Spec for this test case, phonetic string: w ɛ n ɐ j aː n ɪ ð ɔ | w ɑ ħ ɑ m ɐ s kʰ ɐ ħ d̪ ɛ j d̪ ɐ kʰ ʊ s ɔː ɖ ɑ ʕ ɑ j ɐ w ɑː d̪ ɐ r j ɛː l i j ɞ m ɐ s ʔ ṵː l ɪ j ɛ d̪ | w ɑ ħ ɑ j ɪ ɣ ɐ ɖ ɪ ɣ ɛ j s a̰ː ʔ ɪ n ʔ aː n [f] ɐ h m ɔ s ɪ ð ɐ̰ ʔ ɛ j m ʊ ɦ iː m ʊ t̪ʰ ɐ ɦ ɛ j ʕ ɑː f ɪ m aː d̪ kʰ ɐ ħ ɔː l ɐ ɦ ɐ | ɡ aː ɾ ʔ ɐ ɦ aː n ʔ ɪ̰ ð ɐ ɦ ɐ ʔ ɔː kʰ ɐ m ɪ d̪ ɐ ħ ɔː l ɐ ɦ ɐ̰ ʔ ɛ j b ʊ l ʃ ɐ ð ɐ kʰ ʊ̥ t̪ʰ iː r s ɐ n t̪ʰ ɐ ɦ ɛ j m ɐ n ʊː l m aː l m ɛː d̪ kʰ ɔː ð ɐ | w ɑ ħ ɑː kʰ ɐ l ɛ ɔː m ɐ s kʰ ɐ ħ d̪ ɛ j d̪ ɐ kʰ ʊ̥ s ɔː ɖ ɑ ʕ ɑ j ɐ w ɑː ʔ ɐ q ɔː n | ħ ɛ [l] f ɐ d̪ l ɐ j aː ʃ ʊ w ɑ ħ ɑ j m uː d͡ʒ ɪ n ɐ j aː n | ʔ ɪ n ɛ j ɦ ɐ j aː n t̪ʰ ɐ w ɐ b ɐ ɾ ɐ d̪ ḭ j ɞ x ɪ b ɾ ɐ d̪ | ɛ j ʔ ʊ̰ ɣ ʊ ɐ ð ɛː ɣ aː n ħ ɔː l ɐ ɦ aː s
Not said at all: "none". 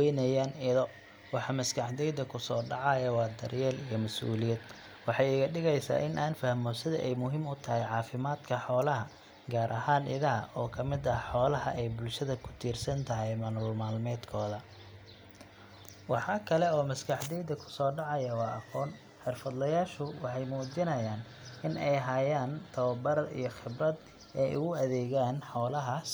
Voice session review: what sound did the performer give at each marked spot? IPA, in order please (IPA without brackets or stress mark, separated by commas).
f, r